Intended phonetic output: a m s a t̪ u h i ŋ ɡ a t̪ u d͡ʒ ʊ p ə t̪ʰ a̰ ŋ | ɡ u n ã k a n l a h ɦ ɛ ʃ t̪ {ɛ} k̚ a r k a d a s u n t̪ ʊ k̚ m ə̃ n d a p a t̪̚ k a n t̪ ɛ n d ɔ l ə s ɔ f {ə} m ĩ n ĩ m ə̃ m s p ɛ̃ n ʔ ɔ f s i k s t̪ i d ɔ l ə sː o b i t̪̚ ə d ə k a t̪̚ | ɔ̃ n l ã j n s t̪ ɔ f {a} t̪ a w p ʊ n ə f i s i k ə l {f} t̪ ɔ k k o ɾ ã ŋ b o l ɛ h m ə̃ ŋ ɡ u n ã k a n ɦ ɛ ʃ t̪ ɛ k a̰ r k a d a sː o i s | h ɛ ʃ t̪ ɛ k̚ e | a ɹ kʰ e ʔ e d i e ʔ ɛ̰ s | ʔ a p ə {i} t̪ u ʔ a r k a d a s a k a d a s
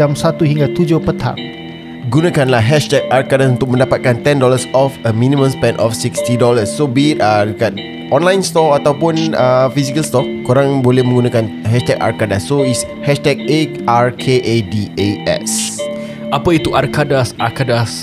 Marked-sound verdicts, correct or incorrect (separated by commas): correct, correct, correct, incorrect, correct